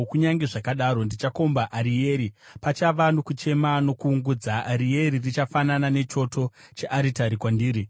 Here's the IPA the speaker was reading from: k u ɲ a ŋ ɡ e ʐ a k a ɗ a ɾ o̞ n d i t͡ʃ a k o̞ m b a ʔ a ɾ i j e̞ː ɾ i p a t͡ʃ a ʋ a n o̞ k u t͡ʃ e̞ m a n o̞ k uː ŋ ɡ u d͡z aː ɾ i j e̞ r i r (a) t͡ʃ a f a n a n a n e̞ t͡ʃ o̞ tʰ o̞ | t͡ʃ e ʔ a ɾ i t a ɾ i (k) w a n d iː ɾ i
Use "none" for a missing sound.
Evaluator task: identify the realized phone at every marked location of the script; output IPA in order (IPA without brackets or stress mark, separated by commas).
i, k